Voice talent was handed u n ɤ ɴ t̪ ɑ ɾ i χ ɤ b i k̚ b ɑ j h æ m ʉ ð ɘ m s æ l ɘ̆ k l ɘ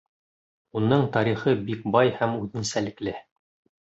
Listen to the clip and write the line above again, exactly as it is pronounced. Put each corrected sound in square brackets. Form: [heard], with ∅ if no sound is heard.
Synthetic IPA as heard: u n ɤ ɴ t̪ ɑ ɾ i χ ɤ b i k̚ b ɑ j h æ m ʉ ð ɘ [n] s æ l ɘ̆ k l ɘ